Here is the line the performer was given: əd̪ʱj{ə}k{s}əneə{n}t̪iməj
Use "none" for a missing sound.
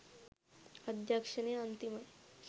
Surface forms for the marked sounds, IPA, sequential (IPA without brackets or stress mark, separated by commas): a, ʂ, n